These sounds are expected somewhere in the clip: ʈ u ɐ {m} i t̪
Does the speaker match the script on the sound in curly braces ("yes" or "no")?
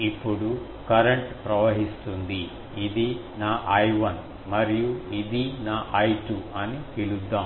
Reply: no